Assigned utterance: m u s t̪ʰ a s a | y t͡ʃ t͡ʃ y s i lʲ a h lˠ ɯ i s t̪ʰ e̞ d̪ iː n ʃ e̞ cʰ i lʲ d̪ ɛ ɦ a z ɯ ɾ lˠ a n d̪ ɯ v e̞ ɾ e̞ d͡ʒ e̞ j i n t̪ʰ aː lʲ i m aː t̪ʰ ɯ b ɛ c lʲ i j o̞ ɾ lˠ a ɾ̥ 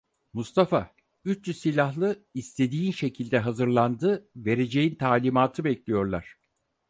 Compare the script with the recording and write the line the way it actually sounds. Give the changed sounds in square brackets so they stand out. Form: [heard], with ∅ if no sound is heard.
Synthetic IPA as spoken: m u s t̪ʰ a [f] a | y t͡ʃ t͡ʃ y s i lʲ a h lˠ ɯ i s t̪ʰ e̞ d̪ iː n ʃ e̞ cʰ i lʲ d̪ ɛ ɦ a z ɯ ɾ lˠ a n d̪ ɯ v e̞ ɾ e̞ d͡ʒ e̞ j i n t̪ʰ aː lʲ i m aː t̪ʰ ɯ b ɛ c lʲ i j o̞ ɾ lˠ a ɾ̥